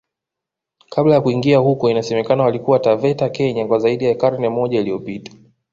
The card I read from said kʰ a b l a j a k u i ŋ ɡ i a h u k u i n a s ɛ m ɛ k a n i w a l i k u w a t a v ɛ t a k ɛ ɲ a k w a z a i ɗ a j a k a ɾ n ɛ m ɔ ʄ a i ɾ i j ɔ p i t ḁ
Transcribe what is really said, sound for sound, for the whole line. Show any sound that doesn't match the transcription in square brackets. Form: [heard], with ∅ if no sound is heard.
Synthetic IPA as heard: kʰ a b l a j a k u i ŋ ɡ i a h u k [ɔ] i n a s ɛ m ɛ k a n [a] w a l i k u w a t a v ɛ t a k ɛ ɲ a k w a z a i ɗ [i] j a k a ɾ n ɛ m ɔ ʄ a i [l] i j ɔ p i t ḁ